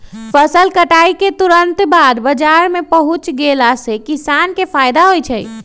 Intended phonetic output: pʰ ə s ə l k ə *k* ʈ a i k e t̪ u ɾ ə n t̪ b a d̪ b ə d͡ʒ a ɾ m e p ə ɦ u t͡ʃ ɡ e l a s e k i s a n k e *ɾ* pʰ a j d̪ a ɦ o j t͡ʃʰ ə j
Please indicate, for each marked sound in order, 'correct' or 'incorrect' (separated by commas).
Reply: incorrect, incorrect